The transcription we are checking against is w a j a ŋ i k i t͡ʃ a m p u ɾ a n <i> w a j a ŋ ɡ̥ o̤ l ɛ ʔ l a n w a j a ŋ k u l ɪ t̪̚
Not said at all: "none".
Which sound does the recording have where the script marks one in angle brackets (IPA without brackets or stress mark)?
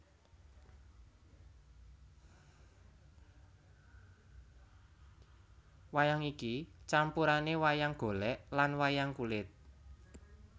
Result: e